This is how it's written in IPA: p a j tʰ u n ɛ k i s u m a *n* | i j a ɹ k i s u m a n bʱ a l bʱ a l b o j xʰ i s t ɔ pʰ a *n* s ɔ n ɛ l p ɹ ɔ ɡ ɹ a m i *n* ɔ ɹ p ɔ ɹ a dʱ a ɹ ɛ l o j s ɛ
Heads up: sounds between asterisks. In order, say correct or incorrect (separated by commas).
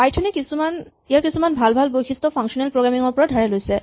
correct, incorrect, incorrect